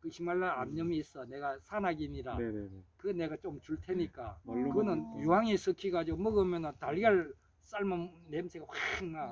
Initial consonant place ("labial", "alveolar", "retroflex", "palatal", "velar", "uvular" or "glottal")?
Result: velar